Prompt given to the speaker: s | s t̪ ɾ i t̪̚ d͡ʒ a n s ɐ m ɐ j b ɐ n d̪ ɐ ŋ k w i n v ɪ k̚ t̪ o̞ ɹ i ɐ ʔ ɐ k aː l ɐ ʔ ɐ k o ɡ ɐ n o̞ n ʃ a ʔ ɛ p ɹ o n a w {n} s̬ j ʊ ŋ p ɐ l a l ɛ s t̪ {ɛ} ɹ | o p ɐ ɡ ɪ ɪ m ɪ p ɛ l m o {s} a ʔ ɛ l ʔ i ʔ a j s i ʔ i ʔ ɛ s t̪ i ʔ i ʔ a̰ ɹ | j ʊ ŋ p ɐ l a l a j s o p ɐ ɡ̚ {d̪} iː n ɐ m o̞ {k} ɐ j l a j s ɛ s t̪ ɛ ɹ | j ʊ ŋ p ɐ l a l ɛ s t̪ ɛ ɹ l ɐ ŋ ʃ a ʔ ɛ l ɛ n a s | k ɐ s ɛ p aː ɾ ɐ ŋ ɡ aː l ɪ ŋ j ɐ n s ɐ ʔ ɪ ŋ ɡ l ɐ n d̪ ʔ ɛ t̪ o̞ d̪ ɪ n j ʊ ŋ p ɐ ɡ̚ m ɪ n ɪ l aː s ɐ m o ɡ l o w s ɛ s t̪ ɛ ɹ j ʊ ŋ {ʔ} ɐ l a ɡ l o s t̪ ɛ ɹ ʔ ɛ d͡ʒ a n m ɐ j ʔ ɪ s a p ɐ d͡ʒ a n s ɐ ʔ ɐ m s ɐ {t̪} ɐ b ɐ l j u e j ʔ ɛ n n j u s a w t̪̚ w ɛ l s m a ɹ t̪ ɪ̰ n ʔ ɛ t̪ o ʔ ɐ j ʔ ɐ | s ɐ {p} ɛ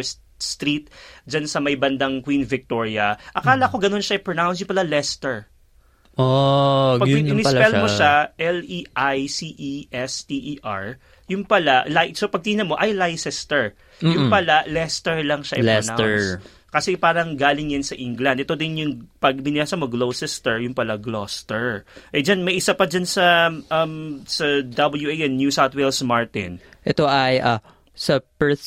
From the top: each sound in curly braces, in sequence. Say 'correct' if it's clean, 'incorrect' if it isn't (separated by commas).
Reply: correct, correct, incorrect, incorrect, incorrect, incorrect, incorrect, correct